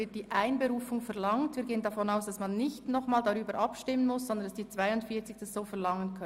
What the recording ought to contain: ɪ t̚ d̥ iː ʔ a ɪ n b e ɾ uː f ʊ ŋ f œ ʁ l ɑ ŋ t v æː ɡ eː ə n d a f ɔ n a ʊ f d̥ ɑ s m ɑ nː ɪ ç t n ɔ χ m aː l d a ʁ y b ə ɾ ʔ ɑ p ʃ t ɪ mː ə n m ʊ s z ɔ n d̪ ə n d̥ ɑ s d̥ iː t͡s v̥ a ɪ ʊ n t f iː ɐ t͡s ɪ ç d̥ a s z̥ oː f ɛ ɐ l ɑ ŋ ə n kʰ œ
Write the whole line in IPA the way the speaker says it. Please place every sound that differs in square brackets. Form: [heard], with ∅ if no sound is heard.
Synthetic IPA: ɪ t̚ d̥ iː ʔ a ɪ n b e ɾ uː f ʊ ŋ f [ɛ] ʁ l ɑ ŋ t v [iː] ɡ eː ə n d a f ɔ n a ʊ [s] d̥ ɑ s m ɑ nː ɪ ç t n ɔ χ m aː l d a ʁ [yː] b ə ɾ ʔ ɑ p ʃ t ɪ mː ə n m ʊ s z ɔ n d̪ ə n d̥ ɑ s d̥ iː t͡s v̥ a ɪ ʊ n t f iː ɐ t͡s ɪ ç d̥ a s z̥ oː f ɛ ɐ l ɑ ŋ ə n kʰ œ